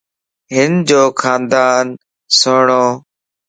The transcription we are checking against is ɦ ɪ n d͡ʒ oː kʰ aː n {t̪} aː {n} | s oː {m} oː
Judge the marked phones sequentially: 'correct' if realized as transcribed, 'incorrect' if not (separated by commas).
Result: incorrect, correct, incorrect